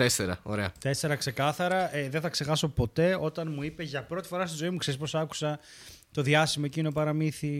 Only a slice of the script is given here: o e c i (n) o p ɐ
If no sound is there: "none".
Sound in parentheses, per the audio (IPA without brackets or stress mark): n